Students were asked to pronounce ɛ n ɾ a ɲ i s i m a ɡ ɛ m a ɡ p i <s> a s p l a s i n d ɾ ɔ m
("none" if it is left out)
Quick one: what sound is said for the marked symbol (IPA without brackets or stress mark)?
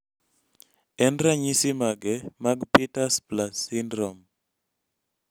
t